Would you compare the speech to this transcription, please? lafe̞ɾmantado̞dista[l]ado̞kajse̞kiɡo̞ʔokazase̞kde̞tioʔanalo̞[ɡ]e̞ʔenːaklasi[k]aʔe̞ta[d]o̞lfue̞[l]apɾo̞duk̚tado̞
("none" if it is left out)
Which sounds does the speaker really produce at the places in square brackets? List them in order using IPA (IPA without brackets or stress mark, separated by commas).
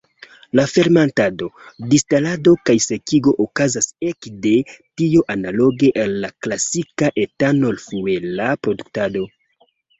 l, ɡ, k, n, l